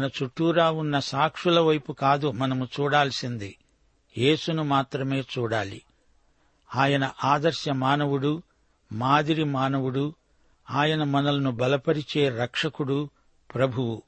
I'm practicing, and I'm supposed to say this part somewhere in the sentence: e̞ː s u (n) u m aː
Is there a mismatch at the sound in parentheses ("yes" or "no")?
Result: no